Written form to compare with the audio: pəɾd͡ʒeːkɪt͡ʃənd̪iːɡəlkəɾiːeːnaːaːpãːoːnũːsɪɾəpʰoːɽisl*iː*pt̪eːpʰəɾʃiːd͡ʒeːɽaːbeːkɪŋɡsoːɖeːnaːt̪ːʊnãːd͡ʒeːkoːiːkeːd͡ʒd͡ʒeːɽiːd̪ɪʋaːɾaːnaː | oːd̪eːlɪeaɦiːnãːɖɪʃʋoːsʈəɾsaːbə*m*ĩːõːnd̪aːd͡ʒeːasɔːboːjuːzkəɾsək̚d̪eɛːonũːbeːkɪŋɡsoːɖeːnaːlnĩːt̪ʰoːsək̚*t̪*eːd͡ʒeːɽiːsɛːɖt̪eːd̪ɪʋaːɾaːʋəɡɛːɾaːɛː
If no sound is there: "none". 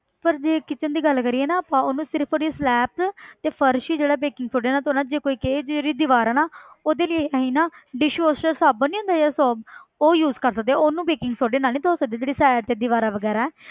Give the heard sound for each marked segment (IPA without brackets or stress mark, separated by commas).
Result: ɛː, n, d̪